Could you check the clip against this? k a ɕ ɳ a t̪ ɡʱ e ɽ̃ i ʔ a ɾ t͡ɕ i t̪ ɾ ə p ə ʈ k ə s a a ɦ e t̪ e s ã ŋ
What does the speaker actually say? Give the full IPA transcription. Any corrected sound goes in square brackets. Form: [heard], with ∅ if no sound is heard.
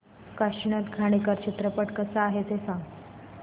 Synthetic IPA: k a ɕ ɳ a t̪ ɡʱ [a] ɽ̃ i [k] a ɾ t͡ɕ i t̪ ɾ ə p ə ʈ k ə s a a ɦ e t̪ e s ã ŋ